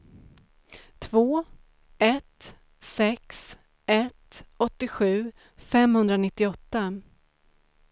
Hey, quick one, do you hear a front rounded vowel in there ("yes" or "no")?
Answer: no